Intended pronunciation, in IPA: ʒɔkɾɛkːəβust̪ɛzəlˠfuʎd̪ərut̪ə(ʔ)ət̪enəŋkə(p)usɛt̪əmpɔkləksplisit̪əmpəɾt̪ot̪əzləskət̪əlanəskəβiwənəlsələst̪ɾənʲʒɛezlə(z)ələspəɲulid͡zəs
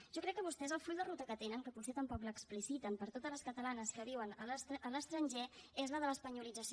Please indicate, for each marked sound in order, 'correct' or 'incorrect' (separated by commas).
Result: incorrect, correct, incorrect